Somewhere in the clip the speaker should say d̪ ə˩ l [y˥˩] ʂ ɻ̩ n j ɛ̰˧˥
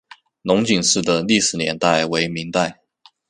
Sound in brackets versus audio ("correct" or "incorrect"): incorrect